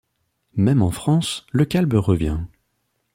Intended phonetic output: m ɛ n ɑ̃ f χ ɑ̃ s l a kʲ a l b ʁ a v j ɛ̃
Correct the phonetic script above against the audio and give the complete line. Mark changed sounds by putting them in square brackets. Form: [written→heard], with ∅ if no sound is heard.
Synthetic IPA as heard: m ɛ [n→m] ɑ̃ f χ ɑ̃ s l [a→ə] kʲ a l b ʁ [a→ə] v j ɛ̃